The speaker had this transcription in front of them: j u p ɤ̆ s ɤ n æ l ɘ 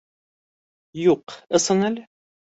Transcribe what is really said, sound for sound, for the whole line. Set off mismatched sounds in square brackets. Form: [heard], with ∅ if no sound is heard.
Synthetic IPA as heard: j u [q] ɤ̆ s ɤ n æ l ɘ